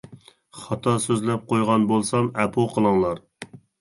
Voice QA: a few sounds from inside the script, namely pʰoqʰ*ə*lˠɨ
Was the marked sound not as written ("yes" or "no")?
no